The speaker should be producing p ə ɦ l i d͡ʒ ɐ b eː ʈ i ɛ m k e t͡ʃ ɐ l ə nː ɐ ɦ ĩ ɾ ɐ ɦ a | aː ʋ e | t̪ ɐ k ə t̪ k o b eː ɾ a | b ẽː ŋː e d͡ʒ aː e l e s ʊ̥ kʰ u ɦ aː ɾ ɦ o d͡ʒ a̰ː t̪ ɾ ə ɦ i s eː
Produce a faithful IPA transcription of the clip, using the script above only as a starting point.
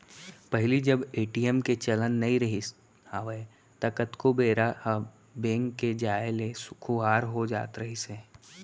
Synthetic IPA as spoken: p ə ɦ l i d͡ʒ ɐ b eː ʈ i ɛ m k e t͡ʃ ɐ l ə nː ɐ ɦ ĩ ɾ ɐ ɦ i | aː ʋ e | t̪ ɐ k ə t̪ k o b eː ɾ a | b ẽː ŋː e d͡ʒ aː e l e s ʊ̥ kʰ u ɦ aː ɾ ɦ o d͡ʒ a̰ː t̪ ɾ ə ɦ i s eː